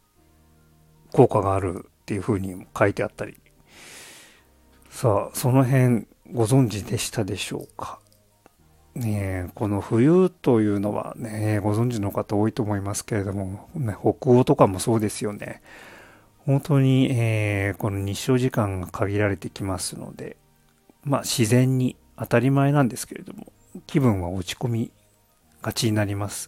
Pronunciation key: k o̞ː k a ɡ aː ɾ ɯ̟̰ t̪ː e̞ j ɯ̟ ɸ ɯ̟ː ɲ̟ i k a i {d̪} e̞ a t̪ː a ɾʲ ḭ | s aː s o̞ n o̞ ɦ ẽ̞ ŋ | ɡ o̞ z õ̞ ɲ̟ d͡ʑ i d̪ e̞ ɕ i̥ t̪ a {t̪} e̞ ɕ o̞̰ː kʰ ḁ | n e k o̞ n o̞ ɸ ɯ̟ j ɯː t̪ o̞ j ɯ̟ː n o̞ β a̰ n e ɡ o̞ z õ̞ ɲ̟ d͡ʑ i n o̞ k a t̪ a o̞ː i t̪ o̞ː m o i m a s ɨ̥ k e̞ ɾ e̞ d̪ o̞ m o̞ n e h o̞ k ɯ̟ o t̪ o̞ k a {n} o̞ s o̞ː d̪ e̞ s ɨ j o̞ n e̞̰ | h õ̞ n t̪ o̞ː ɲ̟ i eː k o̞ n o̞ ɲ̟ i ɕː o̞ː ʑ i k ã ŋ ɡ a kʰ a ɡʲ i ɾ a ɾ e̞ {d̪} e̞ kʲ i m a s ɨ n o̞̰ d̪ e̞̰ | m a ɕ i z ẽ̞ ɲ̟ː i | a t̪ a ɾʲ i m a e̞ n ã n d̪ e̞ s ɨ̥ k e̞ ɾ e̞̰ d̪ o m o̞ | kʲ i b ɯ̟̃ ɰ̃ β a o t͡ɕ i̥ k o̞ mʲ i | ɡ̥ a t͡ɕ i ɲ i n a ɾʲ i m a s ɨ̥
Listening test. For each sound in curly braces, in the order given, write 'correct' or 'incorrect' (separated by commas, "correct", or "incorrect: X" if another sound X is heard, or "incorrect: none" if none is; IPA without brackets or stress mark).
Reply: incorrect: t̪, incorrect: d̪, incorrect: m, incorrect: t̪